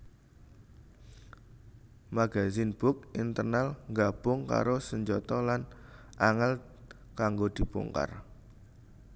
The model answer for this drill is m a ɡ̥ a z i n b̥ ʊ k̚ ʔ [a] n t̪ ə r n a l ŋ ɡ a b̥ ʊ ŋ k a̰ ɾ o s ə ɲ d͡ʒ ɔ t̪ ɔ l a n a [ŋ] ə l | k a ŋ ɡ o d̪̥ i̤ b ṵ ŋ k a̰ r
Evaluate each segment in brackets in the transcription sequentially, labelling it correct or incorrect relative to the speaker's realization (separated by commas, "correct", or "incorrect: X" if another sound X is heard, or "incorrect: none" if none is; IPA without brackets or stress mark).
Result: incorrect: i, correct